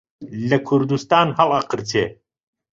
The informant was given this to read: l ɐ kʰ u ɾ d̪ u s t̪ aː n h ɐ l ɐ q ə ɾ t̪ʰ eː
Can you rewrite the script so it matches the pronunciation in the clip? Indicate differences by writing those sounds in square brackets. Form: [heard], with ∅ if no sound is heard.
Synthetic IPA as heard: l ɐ kʰ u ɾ d̪ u s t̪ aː n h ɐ l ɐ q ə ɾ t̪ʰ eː